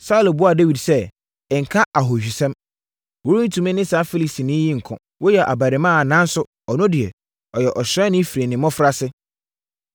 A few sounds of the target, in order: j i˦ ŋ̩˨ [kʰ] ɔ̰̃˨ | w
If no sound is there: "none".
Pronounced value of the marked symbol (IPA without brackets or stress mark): kʰ